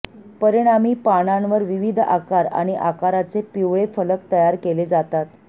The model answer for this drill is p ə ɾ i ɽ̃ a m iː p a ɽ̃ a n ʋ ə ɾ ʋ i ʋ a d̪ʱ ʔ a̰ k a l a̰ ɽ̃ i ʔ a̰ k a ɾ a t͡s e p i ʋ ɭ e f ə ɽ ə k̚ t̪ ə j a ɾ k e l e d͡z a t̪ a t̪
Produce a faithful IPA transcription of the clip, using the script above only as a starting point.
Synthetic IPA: p ə ɾ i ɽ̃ a m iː p a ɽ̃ a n ʋ ə ɾ ʋ i ʋ i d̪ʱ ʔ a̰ k a ɾ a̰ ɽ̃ i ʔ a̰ k a ɾ a t͡s e p i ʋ ɭ e f ə l ə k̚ t̪ ə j a ɾ k e l e d͡z a t̪ a t̪